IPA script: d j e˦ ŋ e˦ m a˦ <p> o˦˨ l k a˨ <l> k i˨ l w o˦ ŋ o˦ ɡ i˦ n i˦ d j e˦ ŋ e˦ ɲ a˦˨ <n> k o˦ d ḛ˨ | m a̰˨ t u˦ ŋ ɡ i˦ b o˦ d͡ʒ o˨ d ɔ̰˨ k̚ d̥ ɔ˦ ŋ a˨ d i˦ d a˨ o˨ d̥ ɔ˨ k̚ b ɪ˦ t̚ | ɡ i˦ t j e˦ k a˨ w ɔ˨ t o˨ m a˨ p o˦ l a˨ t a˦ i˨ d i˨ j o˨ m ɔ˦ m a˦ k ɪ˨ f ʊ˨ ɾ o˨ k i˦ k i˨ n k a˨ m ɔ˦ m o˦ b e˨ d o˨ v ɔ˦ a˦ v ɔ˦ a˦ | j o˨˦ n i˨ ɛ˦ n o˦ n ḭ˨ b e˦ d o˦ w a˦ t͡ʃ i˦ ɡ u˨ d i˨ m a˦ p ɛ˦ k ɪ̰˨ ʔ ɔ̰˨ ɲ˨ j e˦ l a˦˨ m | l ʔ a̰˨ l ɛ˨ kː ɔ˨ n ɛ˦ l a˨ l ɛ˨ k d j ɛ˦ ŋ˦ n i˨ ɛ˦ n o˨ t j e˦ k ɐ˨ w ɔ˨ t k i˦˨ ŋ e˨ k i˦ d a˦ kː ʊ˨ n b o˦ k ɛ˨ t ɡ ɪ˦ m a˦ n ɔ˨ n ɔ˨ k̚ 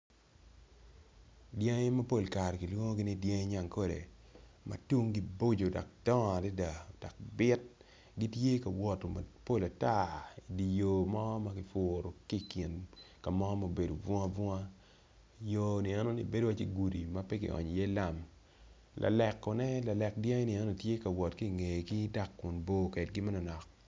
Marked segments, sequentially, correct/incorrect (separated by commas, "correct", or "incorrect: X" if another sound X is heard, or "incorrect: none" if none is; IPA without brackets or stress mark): correct, incorrect: ɾ, incorrect: ŋ